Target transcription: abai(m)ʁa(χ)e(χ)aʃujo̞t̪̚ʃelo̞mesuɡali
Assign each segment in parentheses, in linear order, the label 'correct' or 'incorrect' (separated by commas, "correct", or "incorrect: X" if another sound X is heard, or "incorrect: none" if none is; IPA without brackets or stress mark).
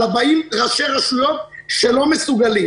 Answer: correct, incorrect: ʃ, incorrect: ʁ